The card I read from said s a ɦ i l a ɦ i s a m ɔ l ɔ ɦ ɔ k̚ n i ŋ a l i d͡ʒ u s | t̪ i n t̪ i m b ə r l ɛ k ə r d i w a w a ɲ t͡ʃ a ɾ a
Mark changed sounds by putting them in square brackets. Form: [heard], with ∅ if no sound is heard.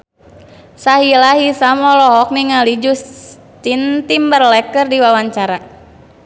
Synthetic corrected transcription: s a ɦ i l a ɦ i s a m ɔ l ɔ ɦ ɔ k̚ n i ŋ a l i d͡ʒ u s | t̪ i n t̪ i m b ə r l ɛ k ə r d i w a w a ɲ t͡ʃ a ɾ a